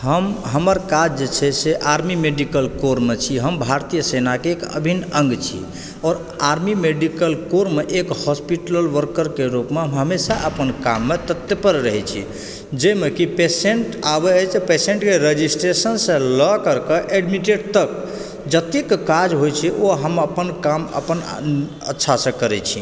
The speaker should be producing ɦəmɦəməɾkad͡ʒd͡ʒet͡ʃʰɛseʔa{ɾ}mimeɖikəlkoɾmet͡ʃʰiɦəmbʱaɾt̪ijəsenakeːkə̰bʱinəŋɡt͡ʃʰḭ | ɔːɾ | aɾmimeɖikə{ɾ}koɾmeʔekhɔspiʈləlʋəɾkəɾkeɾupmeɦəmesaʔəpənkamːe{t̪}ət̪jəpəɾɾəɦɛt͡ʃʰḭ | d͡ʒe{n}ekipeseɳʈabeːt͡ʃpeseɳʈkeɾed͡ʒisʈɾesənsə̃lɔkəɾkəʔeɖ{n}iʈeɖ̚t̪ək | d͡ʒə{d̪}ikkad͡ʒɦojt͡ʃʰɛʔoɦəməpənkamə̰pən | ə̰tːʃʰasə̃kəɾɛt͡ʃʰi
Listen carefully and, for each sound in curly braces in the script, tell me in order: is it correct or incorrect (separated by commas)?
correct, incorrect, correct, incorrect, incorrect, incorrect